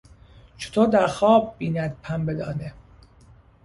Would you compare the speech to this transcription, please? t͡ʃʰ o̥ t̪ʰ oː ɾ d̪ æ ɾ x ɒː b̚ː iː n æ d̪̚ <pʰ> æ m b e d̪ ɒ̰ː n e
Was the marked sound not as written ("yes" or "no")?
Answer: no